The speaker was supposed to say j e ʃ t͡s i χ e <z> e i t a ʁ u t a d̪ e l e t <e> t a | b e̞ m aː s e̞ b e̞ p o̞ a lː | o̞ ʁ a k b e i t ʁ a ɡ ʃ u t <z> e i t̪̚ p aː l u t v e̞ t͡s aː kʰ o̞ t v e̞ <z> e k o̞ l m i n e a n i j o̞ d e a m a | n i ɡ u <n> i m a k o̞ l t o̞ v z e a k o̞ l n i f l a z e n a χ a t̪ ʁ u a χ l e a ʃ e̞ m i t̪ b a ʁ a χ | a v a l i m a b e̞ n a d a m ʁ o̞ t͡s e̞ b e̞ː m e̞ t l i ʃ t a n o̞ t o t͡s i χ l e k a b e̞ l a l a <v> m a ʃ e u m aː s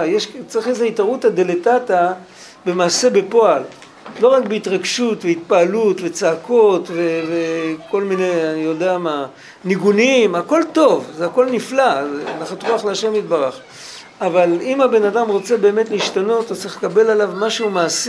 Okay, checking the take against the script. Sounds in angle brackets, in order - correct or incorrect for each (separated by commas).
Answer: correct, incorrect, incorrect, incorrect, correct, correct